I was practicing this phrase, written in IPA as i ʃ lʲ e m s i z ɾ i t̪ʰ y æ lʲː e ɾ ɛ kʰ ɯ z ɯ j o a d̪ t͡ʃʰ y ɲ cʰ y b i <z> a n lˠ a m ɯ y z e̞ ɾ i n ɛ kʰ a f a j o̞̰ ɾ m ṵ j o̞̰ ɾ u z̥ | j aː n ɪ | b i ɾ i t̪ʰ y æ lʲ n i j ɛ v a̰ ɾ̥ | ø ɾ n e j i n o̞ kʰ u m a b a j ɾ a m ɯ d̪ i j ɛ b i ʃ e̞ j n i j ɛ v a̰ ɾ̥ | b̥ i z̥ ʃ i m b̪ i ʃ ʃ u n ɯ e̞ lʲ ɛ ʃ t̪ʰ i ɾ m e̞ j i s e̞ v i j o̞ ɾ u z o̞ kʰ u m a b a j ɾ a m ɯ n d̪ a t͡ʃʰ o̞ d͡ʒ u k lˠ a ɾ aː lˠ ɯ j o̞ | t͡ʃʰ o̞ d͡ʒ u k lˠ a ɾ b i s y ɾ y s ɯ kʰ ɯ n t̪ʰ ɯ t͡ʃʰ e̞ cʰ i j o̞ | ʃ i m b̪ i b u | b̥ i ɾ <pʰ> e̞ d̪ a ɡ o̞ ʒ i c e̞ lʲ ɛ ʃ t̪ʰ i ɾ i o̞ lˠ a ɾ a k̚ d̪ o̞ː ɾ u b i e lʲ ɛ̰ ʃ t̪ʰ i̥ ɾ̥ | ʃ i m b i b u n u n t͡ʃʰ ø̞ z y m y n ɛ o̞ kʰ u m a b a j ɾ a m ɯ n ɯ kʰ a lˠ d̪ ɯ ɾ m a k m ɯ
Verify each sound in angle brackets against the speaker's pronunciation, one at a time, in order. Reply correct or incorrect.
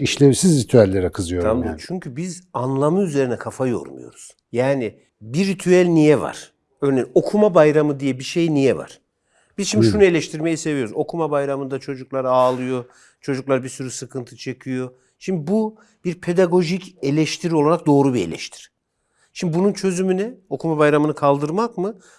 correct, correct

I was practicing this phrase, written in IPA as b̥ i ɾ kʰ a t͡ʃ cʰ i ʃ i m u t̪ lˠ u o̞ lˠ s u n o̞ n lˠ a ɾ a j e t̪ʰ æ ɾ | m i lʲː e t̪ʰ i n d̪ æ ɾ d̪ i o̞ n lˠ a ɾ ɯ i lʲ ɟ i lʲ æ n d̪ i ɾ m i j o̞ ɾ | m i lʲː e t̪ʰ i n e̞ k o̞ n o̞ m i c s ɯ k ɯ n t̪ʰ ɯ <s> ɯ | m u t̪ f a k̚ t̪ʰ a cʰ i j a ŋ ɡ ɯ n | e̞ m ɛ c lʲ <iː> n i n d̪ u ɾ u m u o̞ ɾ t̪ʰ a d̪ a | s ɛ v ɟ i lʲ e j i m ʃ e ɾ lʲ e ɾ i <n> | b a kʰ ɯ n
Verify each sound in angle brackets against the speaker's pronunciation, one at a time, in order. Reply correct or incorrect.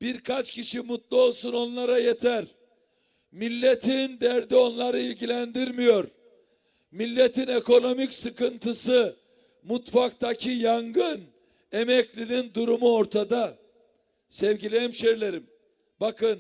correct, incorrect, incorrect

